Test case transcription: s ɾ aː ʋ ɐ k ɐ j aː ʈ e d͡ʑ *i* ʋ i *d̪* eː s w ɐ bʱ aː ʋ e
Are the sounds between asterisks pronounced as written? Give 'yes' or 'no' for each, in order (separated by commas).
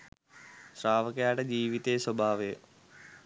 no, no